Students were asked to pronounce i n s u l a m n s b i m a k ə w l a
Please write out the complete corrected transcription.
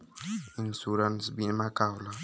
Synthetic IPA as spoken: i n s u ɾ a n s b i m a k a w l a